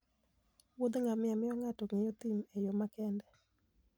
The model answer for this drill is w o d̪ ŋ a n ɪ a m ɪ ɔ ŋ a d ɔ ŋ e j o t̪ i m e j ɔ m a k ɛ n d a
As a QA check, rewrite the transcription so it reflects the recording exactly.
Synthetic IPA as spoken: w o d̪ ŋ a m ɪ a m ɪ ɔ ŋ a t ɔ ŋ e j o t̪ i m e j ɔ m a k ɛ n d ɛ